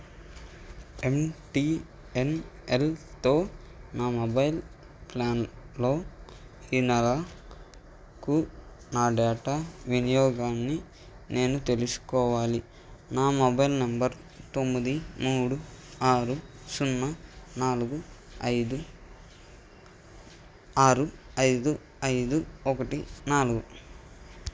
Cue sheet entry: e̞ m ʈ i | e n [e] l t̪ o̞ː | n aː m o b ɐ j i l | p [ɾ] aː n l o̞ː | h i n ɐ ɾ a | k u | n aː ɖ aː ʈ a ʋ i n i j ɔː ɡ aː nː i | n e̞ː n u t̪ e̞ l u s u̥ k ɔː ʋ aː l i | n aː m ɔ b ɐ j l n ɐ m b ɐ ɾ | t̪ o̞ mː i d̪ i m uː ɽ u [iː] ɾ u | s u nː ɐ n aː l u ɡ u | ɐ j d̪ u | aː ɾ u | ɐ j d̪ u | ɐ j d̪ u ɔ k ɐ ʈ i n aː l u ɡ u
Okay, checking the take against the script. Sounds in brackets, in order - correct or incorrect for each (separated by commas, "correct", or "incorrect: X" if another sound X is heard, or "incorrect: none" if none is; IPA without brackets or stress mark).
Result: correct, incorrect: l, incorrect: aː